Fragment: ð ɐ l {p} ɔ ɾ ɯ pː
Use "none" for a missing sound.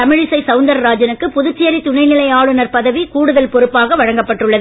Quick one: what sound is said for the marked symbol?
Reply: p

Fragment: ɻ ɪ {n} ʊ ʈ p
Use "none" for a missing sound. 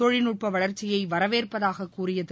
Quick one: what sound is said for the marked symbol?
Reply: n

